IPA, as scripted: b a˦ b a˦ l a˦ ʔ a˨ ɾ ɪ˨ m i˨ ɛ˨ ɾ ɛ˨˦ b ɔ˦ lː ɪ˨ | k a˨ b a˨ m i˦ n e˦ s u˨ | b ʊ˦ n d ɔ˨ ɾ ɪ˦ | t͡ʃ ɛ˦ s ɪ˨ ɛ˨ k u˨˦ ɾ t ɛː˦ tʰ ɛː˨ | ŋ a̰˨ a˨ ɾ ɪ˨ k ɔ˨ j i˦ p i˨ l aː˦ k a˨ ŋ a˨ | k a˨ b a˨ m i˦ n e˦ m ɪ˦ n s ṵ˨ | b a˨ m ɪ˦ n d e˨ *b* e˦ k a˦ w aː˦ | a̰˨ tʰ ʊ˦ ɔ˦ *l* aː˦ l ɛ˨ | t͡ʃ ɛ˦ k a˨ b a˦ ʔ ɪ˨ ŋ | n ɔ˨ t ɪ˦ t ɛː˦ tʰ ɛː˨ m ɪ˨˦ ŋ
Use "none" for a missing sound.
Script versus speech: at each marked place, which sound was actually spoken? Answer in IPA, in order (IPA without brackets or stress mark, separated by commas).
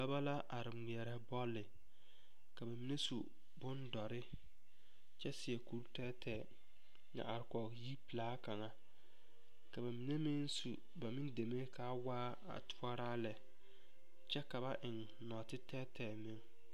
m, ɾ